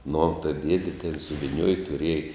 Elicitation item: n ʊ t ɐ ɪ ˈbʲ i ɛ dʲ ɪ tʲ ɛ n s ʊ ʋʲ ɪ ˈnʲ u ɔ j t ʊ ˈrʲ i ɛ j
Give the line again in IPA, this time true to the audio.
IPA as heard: n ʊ t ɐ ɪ ˈdʲ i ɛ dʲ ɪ tʲ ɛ n s ʊ ʋʲ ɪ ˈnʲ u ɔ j t ʊ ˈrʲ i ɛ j

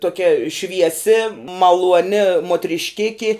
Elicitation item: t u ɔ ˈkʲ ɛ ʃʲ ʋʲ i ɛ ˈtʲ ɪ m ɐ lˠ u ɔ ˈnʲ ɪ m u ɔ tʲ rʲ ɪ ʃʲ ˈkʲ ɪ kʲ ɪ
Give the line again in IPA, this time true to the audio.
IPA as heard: t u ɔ ˈkʲ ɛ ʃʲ ʋʲ i ɛ ˈsʲ ɪ m ɐ lˠ u ɔ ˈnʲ ɪ m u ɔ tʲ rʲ ɪ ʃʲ ˈkʲ ɪ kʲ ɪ

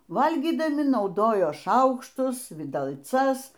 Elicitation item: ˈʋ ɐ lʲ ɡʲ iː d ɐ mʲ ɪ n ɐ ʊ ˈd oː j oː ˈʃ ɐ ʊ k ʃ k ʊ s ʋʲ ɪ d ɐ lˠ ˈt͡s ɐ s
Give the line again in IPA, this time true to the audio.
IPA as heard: ˈʋ ɐ lʲ ɡʲ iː d ɐ mʲ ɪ n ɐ ʊ ˈd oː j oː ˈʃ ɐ ʊ k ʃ t ʊ s ʋʲ ɪ d ɐ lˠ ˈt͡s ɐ s

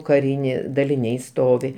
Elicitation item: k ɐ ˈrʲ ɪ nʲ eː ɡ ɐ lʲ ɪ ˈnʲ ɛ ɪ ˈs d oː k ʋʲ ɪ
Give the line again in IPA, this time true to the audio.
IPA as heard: k ɐ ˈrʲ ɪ nʲ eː d ɐ lʲ ɪ ˈnʲ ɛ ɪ ˈs t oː ʋʲ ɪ

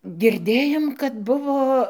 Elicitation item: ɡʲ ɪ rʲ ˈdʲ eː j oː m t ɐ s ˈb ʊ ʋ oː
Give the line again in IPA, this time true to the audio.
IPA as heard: ɡʲ ɪ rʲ ˈdʲ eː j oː m k ɐ t ˈb ʊ ʋ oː

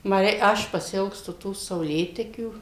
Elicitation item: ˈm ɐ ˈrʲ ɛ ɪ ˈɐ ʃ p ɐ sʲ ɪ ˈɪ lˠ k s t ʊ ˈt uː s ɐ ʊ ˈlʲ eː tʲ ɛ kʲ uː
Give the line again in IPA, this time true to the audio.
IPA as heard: ˈm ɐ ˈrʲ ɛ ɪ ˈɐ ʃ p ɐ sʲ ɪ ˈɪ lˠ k s t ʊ ˈt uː s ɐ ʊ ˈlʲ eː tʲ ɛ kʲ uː

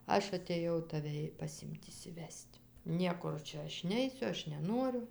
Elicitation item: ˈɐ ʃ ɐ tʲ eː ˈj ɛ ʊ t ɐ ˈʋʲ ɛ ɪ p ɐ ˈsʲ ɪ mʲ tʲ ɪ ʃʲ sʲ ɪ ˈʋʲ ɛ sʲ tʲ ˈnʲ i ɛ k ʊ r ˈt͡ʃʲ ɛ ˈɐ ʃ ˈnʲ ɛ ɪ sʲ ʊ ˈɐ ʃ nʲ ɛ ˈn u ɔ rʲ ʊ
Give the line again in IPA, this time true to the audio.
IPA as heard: ˈɐ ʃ ɐ tʲ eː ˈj ɛ ʊ t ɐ ˈʋʲ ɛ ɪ p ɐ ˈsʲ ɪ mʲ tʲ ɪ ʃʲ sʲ ɪ ˈʋʲ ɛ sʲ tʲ ˈnʲ i ɛ k ʊ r ˈt͡ʃʲ ɛ ˈɐ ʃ ˈnʲ ɛ ɪ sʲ ʊ ˈɐ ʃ nʲ ɛ ˈn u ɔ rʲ ʊ

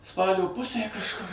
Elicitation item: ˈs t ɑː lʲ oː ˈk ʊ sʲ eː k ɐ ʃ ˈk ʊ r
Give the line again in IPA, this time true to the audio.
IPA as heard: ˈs p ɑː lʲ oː ˈp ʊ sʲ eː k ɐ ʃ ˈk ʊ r

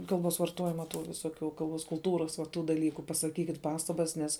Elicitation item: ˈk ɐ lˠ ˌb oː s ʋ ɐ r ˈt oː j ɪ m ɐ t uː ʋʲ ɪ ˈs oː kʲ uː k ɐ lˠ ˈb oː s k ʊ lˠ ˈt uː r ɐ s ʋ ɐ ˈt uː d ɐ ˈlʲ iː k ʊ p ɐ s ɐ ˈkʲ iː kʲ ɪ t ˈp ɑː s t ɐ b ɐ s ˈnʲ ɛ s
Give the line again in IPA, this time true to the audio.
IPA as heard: ˈk ɐ lˠ ˌb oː s ʋ ɐ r ˈt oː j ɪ m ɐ t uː ʋʲ ɪ ˈs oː kʲ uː k ɐ lˠ ˈb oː s k ʊ lˠ ˈt uː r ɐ s ʋ ɐ ˈt uː d ɐ ˈlʲ iː k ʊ p ɐ s ɐ ˈkʲ iː kʲ ɪ t ˈp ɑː s t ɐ b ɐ s ˈnʲ ɛ s

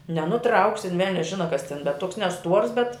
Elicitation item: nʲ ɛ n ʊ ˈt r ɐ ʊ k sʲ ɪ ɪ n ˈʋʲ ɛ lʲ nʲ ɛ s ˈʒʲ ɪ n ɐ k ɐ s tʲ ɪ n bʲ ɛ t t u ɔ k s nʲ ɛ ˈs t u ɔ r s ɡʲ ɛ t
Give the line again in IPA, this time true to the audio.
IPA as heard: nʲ ɛ n ʊ ˈt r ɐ ʊ k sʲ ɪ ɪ n ˈʋʲ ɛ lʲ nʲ ɛ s ˈʒʲ ɪ n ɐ k ɐ s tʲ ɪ n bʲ ɛ t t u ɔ k s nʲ ɛ ˈs t u ɔ r s bʲ ɛ t

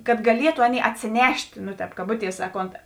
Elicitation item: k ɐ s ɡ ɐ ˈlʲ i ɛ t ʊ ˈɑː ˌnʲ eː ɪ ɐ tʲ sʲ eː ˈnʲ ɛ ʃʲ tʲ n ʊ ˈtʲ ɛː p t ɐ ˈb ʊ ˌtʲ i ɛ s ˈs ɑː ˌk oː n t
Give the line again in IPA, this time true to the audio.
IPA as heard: k ɐ t ɡ ɐ ˈlʲ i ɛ t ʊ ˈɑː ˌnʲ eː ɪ ɐ tʲ sʲ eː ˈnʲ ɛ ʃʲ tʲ n ʊ ˈtʲ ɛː p k ɐ ˈb ʊ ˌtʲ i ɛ s ˈs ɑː ˌk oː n t

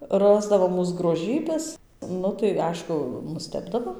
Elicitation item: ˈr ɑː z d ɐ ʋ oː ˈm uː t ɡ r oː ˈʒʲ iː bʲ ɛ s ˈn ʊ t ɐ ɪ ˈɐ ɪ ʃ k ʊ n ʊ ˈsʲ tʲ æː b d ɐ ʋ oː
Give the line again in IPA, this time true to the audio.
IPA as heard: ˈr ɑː z d ɐ ʋ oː ˈm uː s ɡ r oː ˈʒʲ iː bʲ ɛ s ˈn ʊ t ɐ ɪ ˈɐ ɪ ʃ k ʊ n ʊ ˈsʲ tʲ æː b d ɐ ʋ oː

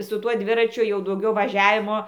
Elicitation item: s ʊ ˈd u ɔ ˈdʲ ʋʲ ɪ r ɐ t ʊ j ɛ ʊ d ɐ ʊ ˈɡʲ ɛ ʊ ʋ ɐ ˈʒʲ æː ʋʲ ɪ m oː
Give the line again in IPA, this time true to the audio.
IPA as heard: s ʊ ˈt u ɔ ˈdʲ ʋʲ ɪ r ɐ t͡ʃʲ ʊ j ɛ ʊ d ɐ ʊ ˈɡʲ ɛ ʊ ʋ ɐ ˈʒʲ æː ʋʲ ɪ m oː

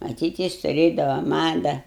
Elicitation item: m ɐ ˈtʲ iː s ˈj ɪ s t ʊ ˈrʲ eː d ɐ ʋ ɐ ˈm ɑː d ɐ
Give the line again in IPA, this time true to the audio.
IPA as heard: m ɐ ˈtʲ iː t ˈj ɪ s t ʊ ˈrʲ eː d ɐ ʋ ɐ ˈm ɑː d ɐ

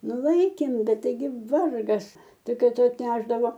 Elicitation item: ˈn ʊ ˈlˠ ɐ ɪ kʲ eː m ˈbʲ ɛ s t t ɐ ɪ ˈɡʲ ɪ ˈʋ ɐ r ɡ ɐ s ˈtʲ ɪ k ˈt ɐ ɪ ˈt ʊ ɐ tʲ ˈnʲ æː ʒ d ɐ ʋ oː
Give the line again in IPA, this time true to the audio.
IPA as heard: ˈn ʊ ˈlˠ ɐ ɪ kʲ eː m ˈbʲ ɛ t t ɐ ɪ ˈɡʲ ɪ ˈʋ ɐ r ɡ ɐ s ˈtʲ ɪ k ˈk ɐ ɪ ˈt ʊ ɐ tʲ ˈnʲ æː ʒ d ɐ ʋ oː

